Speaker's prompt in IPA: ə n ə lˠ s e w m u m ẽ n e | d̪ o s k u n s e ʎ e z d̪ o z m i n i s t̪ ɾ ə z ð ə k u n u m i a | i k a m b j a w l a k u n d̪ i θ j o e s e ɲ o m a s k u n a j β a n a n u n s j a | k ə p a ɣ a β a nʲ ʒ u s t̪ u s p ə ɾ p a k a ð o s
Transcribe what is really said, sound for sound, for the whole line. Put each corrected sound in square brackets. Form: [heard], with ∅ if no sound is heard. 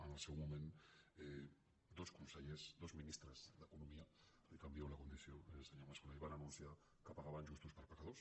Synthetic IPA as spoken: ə n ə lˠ s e w m u m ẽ n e | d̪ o s k u n s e ʎ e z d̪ o z m i n i s t̪ ɾ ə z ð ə k u n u m i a | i k a m b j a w l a k u n d̪ i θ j o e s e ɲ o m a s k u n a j β a n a n u n s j a | k ə p a ɣ a β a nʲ ʒ u s t̪ u s p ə ɾ p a k a ð o s